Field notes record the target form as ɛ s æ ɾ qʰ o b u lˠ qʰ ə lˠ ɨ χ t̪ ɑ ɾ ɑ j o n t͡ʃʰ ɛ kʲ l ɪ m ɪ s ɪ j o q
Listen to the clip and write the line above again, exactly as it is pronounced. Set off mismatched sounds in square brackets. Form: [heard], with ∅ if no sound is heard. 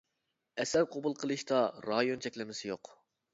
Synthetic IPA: ɛ s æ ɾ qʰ o b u lˠ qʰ ə lˠ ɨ [ʃ] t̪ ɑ ɾ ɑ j o n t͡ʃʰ ɛ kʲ l ɪ m ɪ s ɪ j o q